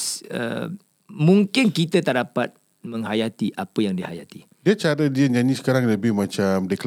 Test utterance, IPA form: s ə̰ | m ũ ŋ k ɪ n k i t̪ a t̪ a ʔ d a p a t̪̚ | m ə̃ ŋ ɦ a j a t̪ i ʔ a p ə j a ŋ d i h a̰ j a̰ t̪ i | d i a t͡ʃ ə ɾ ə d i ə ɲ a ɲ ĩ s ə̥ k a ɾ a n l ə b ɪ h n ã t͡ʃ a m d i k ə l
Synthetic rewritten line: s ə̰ | m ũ ŋ k ɪ n k i t̪ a t̪ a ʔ d a p a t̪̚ | m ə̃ ŋ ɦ a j a t̪ i ʔ a p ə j a ŋ d i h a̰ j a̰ t̪ i | d i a t͡ʃ a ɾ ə d i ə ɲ a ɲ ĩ s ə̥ k a ɾ a ŋ l ə b ɪ h m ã t͡ʃ a m d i k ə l